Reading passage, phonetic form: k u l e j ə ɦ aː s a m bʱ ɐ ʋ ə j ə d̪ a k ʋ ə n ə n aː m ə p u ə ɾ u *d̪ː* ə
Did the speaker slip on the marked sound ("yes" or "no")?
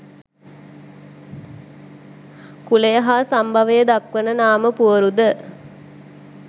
yes